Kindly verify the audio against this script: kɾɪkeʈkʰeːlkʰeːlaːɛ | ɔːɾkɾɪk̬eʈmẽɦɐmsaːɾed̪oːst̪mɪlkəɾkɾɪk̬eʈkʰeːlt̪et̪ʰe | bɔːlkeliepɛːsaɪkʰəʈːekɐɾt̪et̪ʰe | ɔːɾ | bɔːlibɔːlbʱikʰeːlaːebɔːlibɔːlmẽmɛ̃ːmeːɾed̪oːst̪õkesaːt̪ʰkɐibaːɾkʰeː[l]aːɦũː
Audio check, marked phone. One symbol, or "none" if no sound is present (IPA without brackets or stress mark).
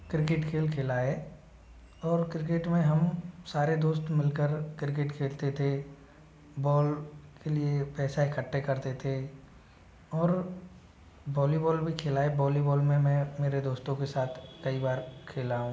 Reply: l